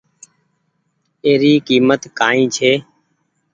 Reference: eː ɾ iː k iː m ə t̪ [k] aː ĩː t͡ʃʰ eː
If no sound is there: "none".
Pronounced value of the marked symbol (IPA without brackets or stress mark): k